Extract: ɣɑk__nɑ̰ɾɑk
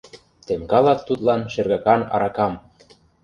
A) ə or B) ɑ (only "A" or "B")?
B